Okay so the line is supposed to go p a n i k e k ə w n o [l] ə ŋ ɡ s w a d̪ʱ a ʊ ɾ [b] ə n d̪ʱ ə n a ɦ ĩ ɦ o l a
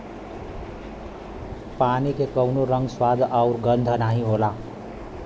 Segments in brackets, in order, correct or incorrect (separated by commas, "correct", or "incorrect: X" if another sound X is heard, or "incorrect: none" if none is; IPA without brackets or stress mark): incorrect: ɾ, incorrect: ɡ